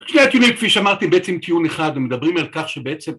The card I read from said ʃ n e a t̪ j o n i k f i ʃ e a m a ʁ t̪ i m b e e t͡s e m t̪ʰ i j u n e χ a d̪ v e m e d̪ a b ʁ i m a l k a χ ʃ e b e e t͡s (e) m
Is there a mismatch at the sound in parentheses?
no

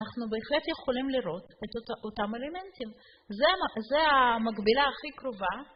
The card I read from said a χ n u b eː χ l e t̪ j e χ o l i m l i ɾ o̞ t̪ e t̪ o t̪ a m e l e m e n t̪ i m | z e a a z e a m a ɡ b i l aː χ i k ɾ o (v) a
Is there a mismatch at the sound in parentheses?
no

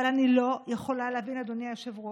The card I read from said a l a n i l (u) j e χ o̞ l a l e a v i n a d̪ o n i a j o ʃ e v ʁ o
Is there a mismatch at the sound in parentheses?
yes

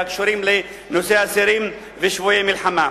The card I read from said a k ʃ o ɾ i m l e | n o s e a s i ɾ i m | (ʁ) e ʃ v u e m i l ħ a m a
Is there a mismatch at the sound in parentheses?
yes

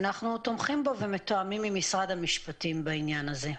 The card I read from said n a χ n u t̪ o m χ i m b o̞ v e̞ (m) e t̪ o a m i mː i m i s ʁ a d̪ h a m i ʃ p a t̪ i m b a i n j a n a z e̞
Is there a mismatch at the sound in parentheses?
no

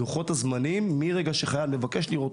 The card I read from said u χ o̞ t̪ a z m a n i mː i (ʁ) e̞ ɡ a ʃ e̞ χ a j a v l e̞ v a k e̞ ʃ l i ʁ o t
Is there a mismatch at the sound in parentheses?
no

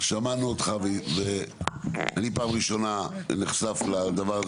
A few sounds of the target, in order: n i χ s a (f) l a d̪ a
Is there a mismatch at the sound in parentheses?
no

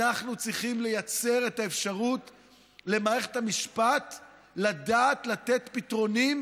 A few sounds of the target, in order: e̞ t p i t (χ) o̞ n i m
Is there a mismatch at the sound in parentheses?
yes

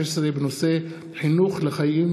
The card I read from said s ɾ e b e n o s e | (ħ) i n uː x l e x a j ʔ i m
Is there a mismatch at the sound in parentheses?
no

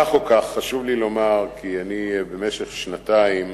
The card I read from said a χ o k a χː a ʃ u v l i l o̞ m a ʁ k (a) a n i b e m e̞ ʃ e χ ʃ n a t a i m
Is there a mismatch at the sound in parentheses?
yes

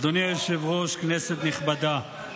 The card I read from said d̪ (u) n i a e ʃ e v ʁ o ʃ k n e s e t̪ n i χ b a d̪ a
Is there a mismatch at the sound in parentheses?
yes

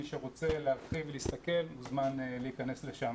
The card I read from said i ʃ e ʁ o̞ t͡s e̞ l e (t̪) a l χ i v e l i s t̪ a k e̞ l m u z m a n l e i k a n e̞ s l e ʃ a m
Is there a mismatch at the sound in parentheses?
yes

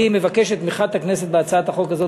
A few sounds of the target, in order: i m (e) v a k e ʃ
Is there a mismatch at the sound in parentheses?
no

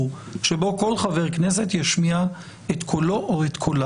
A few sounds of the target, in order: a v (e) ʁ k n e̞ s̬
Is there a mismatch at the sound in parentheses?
no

